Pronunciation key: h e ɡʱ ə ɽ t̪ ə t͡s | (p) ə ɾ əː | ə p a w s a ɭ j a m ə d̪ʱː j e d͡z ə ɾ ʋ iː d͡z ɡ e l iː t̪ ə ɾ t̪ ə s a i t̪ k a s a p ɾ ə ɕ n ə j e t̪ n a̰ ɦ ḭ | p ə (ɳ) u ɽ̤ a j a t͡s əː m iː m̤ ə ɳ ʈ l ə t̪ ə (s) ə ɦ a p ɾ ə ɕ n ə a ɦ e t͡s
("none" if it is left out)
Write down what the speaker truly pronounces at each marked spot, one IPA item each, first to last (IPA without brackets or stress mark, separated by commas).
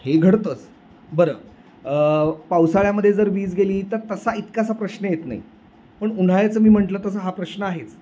b, ɳ, s